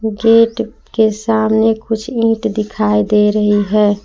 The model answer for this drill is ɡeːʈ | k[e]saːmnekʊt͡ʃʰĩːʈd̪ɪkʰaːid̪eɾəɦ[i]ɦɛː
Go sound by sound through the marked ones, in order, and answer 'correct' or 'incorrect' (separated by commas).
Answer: correct, correct